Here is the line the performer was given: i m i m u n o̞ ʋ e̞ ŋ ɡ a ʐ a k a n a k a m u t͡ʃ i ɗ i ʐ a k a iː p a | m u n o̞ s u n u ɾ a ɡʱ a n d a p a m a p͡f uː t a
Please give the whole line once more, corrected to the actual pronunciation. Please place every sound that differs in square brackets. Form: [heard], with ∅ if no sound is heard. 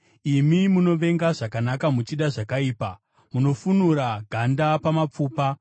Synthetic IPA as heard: i m i m u n o̞ ʋ e̞ ŋ ɡ a ʐ a k a n a k a m u t͡ʃ i ɗ [a] ʐ a k a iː p a | m u n o̞ [f] u n u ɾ a ɡʱ a n d a p a m a p͡f uː [p] a